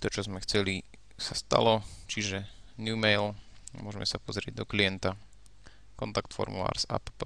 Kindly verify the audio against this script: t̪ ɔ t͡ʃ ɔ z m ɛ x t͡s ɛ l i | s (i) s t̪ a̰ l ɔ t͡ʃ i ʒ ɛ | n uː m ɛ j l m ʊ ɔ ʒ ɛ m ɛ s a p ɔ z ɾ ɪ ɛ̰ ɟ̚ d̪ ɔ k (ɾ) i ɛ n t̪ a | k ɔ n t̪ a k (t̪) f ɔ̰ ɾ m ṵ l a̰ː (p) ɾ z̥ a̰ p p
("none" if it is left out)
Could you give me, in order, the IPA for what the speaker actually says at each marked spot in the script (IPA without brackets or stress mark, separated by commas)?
a, l, t̪, none